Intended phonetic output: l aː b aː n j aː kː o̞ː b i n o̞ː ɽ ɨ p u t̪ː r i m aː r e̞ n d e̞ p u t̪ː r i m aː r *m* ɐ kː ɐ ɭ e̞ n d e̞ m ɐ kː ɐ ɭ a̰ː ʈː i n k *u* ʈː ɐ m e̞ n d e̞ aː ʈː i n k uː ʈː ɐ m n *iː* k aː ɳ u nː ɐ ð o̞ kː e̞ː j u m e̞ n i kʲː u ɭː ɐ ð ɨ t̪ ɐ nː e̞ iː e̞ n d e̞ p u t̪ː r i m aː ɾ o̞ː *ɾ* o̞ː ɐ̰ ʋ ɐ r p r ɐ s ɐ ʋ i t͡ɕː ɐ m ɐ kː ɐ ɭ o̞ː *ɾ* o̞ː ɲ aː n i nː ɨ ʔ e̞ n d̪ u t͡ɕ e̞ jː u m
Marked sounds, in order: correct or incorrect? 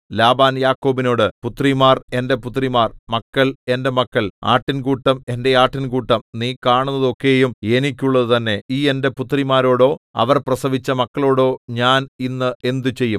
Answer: correct, incorrect, correct, incorrect, incorrect

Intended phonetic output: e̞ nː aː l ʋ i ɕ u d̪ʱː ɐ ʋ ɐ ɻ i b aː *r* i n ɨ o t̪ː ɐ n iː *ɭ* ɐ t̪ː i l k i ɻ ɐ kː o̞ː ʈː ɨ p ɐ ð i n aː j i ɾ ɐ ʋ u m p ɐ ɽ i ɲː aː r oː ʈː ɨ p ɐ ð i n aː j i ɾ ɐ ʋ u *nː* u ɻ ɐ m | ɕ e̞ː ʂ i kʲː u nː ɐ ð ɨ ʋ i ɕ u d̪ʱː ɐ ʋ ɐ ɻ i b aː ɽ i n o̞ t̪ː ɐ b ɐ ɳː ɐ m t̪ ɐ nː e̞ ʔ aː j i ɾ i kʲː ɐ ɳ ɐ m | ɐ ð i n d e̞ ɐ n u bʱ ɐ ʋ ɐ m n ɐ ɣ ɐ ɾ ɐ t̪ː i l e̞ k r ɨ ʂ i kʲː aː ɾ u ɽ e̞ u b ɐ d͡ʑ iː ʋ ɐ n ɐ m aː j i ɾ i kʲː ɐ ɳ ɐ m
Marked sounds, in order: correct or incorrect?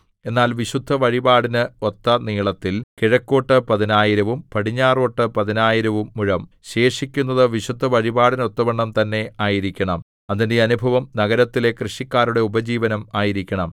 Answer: incorrect, correct, incorrect

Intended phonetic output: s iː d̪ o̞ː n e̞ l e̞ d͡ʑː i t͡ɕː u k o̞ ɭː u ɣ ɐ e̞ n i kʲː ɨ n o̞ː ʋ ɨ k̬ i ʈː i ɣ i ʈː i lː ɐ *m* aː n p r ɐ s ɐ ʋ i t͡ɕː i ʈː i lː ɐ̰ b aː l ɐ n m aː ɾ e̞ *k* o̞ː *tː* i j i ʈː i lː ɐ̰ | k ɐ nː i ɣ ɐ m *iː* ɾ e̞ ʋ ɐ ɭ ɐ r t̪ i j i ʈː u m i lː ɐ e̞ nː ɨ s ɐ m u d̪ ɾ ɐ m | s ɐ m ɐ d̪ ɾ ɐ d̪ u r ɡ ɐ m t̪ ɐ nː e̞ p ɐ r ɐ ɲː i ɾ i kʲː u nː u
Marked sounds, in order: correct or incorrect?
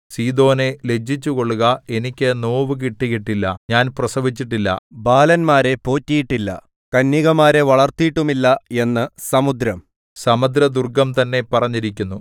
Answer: incorrect, incorrect, correct, incorrect

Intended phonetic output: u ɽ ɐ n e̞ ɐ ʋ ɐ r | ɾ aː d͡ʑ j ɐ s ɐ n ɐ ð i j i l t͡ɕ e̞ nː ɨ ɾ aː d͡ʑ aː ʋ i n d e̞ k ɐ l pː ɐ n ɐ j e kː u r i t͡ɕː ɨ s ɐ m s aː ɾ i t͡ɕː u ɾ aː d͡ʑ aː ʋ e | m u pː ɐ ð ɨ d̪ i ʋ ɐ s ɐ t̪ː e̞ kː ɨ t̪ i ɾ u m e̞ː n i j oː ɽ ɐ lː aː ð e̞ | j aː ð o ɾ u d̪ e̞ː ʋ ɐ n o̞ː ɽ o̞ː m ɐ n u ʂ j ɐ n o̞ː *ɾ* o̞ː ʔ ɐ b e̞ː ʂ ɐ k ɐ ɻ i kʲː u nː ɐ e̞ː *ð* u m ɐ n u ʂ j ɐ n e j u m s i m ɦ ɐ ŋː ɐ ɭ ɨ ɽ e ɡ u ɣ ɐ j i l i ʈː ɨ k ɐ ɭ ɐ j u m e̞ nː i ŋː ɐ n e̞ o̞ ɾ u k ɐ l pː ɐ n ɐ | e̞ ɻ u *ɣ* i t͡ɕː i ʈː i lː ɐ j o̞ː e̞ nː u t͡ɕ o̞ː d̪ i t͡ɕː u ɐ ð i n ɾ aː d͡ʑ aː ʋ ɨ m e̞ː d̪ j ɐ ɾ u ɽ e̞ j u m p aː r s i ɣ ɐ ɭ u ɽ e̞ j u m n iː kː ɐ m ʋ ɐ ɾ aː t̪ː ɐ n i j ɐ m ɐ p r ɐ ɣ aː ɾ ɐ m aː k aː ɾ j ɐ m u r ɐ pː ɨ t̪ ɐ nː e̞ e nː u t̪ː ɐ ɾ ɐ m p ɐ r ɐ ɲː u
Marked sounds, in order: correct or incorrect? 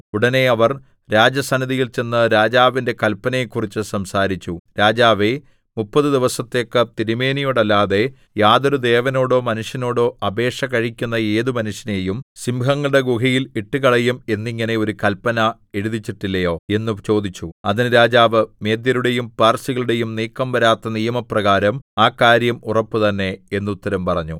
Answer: incorrect, correct, incorrect

